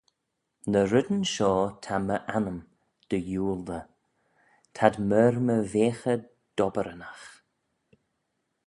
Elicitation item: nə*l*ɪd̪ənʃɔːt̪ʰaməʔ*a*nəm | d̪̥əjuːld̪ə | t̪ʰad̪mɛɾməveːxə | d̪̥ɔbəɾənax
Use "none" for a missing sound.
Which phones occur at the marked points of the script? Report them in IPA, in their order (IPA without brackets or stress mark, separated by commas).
ɾ, a